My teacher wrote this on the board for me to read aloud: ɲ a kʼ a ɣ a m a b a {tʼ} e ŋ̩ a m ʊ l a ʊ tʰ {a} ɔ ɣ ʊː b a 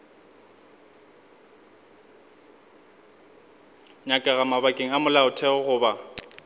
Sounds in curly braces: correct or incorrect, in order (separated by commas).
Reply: incorrect, incorrect